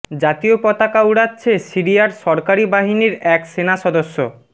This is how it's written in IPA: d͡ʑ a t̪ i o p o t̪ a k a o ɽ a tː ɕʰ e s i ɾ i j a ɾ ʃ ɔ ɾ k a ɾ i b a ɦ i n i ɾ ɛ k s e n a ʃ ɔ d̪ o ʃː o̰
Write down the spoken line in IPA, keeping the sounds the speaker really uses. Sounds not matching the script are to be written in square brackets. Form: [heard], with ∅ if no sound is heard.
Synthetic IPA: d͡ʑ a t̪ i o p [ɔ] t̪ a k a [u] ɽ a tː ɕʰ e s i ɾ i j a ɾ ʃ ɔ ɾ k a ɾ i b a ɦ i n i ɾ ɛ k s e n a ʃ ɔ d̪ o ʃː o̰